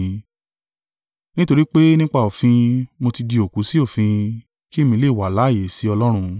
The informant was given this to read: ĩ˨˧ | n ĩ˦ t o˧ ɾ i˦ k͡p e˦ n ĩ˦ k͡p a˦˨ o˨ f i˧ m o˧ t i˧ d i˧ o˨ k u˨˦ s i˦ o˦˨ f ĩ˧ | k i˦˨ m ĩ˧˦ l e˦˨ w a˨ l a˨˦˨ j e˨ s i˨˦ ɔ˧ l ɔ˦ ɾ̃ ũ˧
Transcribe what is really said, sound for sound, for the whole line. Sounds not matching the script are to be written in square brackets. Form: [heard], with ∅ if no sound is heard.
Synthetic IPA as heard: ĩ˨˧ | n ĩ˦ t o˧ ɾ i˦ k͡p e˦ n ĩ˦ k͡p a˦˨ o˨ f [ĩ˧] m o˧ t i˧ d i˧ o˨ k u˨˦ s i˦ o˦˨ f ĩ˧ | k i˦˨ m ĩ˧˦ l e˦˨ w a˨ l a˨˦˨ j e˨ s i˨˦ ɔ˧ l ɔ˦ ɾ̃ ũ˧